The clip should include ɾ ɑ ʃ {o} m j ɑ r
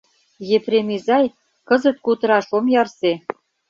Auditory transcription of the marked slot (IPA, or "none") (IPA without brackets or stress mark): o